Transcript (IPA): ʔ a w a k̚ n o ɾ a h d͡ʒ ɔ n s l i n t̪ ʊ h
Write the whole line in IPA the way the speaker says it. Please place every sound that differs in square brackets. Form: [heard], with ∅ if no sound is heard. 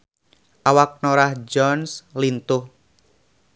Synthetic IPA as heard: ʔ a w a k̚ n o ɾ a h d͡ʒ ɔ n s l i n t̪ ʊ h

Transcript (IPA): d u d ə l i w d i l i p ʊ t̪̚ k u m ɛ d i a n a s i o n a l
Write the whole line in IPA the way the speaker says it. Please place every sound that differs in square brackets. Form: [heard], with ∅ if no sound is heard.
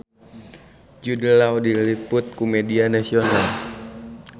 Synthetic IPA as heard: [d͡ʒ] u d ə l [a] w d i l i p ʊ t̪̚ k u m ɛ d i a n a s i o n a l

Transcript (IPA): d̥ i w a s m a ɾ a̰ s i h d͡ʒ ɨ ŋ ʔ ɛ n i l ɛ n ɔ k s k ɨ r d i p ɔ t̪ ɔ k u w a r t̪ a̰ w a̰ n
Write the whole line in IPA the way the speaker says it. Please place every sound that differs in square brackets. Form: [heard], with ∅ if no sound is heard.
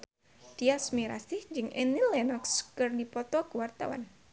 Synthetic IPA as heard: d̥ i [∅] a s m [i] ɾ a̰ s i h d͡ʒ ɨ ŋ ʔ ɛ n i l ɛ n ɔ k s k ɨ r d i p ɔ t̪ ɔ k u w a r t̪ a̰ w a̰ n

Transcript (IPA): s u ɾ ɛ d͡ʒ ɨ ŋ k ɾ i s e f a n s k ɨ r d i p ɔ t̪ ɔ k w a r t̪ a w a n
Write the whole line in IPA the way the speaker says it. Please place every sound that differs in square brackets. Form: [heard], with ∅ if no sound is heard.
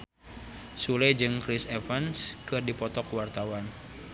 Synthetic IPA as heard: s u [l] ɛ d͡ʒ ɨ ŋ k ɾ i s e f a n s k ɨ r d i p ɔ t̪ ɔ k w a r t̪ a w a n

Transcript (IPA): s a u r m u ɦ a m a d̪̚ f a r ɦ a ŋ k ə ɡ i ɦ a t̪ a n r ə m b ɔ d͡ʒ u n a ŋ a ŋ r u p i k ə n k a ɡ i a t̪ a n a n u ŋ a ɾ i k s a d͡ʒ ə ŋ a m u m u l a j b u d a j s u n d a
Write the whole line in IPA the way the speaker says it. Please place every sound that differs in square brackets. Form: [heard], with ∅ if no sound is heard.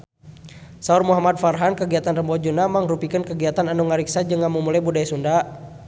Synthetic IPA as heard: s a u r m u ɦ a m a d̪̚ f a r ɦ a [n] k ə ɡ i [∅] a t̪ a n r ə m b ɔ d͡ʒ u n a [m] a ŋ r u p i k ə n k [ə] ɡ i a t̪ a n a n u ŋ a ɾ i k s a d͡ʒ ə ŋ a m u m u l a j b u d a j s u n d a

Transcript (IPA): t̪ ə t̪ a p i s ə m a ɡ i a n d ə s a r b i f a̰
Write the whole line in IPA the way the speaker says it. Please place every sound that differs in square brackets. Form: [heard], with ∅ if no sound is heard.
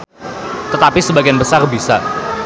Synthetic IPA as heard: t̪ ə t̪ a p i s ə [b] a ɡ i a n [b] ə s a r b i [s] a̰

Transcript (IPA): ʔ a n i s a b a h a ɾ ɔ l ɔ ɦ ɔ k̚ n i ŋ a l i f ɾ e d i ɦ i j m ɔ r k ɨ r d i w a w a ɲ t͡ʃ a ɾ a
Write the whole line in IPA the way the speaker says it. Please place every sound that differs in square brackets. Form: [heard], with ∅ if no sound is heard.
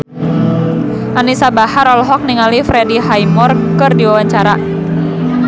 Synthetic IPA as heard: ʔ a n i s a b a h a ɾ ɔ l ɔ ɦ ɔ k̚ n i ŋ a l i f ɾ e d i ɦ [a] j m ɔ r k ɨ r d i w a w a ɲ t͡ʃ a ɾ a

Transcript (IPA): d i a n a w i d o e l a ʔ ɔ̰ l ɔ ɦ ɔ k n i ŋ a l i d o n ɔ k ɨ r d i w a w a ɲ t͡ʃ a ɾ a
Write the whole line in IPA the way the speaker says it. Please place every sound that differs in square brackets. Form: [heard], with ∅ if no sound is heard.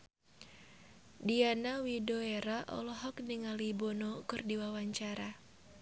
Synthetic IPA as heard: d i a n a w i d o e [ɾ] a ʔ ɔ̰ l ɔ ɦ ɔ k n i ŋ a l i [b] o n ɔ k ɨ r d i w a w a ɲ t͡ʃ a ɾ a

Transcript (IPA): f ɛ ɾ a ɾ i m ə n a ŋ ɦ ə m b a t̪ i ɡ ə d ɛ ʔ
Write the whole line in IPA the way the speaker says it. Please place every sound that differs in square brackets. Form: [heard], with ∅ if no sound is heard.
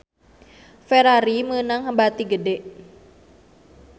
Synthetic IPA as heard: f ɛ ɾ a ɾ i m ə n a ŋ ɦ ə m b a t̪ i ɡ ə d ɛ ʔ

